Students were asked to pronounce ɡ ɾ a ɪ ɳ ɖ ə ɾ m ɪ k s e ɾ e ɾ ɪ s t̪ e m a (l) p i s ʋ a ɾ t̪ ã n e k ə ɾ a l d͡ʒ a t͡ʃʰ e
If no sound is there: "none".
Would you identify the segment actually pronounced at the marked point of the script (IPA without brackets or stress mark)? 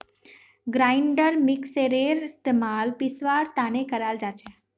l